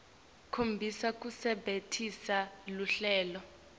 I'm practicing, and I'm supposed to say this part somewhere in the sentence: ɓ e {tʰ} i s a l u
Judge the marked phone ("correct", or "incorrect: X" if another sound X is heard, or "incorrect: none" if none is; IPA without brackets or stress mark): correct